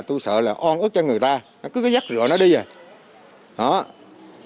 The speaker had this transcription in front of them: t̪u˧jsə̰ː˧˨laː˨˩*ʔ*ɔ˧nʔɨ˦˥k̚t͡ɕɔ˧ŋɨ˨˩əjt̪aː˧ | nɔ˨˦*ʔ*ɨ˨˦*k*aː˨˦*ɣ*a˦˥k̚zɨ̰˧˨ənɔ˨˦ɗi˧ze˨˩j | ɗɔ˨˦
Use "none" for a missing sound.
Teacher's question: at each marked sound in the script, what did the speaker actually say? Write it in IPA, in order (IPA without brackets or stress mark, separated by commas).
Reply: ʔ, k, k, z